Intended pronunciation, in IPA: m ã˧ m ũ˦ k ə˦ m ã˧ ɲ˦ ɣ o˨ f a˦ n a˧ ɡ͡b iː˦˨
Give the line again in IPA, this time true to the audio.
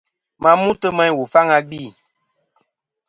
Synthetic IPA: m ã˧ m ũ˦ t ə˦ m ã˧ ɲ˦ w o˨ f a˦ ŋ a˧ ɡ͡b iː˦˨